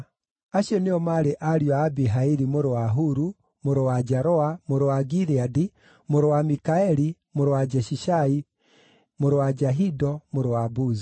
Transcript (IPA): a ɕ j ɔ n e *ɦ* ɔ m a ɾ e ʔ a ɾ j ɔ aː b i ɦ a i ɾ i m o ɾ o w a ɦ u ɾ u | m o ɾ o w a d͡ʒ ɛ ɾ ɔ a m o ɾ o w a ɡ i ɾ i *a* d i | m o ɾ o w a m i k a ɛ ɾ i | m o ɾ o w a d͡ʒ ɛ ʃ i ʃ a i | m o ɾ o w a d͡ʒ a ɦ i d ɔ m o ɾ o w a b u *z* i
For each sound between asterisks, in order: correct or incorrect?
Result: incorrect, correct, correct

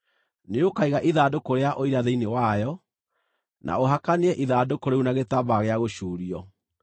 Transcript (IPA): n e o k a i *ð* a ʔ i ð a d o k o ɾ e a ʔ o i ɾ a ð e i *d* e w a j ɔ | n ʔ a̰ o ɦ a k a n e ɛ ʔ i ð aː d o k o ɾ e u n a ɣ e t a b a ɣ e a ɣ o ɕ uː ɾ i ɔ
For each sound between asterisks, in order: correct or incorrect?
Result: incorrect, incorrect

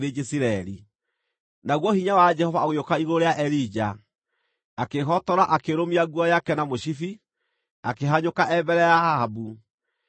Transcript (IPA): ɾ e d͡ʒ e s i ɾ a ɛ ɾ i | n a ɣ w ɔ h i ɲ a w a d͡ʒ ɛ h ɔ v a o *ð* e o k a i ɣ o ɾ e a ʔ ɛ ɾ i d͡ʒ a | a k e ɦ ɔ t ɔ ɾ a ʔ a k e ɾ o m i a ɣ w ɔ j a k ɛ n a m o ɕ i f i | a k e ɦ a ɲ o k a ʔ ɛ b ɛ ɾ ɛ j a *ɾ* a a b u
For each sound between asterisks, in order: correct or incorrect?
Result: incorrect, incorrect

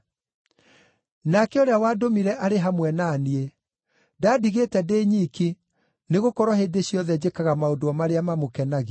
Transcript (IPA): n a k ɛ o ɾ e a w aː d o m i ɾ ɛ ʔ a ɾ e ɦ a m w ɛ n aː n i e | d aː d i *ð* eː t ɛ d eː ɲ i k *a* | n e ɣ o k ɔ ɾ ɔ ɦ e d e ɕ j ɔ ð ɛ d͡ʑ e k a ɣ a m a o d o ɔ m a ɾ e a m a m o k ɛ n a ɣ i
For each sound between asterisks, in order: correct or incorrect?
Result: incorrect, incorrect

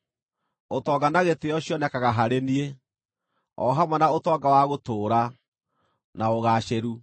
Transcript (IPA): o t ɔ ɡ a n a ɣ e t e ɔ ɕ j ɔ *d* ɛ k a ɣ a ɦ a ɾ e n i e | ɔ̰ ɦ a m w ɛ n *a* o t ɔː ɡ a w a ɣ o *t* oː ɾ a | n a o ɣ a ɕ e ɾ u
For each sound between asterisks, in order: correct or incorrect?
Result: incorrect, correct, correct

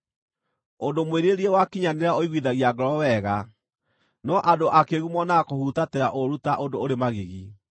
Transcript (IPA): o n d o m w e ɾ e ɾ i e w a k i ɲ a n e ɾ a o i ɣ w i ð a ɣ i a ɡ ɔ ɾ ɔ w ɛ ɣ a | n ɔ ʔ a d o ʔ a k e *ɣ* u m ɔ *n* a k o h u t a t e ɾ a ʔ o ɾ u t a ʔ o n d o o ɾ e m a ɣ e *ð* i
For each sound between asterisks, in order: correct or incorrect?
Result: correct, correct, incorrect

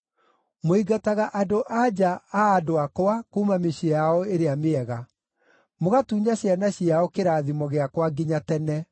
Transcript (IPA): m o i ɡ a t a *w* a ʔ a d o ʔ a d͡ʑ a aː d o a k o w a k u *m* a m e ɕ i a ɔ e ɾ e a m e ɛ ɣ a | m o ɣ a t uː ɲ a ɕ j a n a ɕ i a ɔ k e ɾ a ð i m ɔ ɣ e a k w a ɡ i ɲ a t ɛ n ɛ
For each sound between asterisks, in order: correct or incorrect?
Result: incorrect, correct

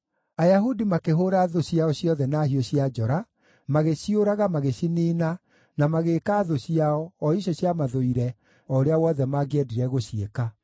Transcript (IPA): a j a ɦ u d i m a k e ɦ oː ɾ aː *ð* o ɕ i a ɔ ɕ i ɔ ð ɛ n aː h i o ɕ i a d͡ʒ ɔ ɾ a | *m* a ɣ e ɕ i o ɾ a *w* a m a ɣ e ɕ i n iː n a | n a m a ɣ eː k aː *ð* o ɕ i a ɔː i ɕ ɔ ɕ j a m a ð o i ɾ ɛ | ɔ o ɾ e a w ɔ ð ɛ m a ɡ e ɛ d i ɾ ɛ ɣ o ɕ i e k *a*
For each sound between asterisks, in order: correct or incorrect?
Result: correct, correct, incorrect, correct, correct

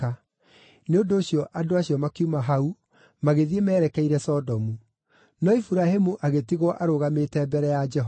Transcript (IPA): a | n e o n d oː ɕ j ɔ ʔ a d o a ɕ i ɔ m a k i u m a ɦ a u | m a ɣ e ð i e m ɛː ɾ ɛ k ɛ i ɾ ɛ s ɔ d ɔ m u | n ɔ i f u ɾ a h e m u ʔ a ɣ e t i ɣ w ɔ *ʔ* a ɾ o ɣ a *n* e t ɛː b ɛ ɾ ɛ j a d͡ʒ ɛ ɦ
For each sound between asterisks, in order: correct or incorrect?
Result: correct, incorrect

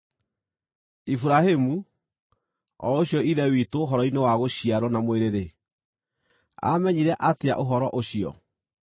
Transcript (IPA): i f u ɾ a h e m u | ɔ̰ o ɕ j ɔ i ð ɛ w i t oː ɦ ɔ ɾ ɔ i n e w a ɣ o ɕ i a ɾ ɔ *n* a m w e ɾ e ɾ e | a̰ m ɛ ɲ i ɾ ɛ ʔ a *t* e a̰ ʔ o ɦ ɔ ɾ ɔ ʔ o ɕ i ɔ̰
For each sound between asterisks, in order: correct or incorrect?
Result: correct, correct

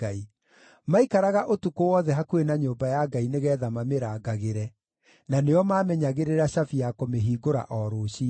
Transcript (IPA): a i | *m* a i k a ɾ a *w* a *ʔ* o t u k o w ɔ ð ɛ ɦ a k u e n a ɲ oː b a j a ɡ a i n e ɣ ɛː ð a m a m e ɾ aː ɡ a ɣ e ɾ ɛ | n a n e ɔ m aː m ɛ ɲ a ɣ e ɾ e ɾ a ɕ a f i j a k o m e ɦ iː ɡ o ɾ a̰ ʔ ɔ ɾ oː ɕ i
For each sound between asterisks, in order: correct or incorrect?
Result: correct, incorrect, correct

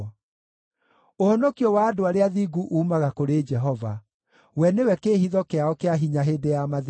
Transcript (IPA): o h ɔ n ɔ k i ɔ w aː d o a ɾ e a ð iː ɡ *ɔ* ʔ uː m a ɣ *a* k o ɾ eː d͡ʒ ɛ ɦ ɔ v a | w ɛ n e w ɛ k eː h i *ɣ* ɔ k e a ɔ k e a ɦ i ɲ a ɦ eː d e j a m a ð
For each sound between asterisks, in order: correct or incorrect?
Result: incorrect, correct, incorrect

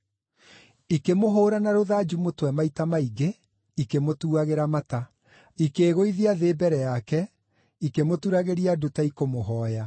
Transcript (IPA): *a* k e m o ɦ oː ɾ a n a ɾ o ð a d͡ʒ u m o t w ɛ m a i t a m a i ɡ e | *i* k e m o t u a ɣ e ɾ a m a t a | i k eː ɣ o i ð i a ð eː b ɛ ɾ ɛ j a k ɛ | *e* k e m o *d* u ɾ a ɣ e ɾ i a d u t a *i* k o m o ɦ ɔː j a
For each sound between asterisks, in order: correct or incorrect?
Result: incorrect, correct, incorrect, incorrect, correct

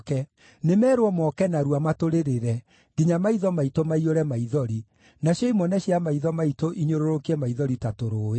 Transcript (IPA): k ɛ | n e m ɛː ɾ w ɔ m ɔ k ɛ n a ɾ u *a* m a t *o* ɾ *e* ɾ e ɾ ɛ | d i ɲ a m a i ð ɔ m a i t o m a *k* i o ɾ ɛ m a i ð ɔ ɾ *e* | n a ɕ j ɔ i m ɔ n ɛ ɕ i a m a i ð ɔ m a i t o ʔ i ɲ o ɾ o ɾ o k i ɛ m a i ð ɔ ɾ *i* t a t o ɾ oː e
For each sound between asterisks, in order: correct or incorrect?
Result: correct, correct, correct, incorrect, incorrect, correct

